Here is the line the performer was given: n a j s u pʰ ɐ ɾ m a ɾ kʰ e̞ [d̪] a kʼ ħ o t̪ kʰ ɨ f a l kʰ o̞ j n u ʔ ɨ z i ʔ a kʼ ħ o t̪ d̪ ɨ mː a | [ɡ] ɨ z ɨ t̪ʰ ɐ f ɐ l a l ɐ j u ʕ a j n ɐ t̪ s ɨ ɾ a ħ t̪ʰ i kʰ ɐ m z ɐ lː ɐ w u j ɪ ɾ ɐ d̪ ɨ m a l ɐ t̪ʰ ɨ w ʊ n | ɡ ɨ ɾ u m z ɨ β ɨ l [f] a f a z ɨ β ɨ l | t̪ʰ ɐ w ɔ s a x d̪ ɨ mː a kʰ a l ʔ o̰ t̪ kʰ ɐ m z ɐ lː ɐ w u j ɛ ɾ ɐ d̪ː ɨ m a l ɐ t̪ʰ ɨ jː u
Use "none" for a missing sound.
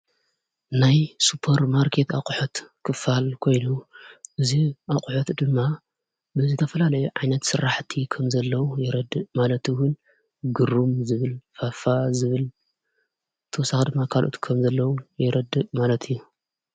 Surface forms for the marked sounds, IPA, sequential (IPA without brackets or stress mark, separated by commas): t̪, b, f